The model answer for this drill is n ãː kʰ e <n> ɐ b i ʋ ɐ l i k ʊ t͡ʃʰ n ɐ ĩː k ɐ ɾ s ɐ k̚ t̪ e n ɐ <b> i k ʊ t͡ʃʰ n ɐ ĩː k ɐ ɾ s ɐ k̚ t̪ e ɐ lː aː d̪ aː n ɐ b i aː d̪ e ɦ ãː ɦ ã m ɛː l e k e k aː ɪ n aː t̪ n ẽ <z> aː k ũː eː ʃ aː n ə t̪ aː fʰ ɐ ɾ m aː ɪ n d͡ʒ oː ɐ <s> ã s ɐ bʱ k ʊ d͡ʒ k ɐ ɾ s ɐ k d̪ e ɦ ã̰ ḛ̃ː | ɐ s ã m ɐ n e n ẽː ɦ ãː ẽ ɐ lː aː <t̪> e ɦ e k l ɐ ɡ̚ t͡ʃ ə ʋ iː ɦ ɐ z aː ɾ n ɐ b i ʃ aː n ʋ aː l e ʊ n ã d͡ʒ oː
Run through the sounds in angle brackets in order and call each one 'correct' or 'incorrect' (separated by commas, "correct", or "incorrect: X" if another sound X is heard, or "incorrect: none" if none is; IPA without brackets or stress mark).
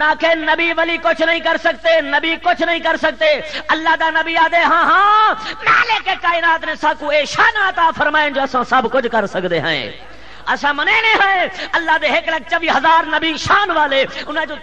correct, correct, incorrect: s, correct, incorrect: d̪